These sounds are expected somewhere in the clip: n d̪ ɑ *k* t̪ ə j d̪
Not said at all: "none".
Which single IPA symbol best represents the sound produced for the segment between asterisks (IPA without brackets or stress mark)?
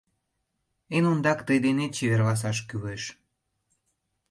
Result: k